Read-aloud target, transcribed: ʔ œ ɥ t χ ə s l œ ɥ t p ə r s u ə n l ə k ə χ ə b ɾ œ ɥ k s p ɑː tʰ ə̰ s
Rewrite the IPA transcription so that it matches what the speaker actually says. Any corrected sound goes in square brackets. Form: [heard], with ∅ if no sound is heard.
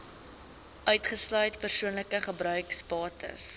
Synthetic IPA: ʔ œ ɥ t χ ə s l œ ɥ t p ə r s u ə n l ə k ə χ ə b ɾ œ ɥ k s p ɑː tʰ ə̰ s